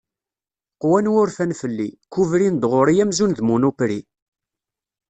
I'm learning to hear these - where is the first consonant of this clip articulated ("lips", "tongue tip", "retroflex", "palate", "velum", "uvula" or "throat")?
uvula